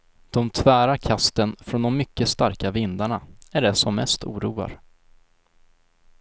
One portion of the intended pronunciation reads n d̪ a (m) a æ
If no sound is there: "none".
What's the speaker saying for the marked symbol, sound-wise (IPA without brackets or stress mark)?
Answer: ɳ